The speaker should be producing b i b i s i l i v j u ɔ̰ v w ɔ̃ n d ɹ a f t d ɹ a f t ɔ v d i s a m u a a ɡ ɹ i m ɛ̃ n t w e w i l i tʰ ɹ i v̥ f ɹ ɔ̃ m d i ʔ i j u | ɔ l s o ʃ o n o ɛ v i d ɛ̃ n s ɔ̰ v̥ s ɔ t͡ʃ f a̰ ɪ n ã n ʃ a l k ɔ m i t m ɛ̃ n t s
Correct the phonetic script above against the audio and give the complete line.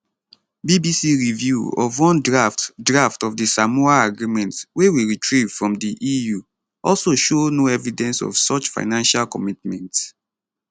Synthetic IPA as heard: b i b i s i ɹ i v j u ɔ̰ v w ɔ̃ n d ɹ a f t d ɹ a f t ɔ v d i s a m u a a ɡ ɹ i m ɛ̃ n t w e w i ɹ i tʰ ɹ i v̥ f ɹ ɔ̃ m d i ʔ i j u | ɔ l s o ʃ o n o ɛ v i d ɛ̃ n s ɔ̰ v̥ s ɔ t͡ʃ f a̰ ɪ n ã n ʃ a l k ɔ m i t m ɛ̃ n t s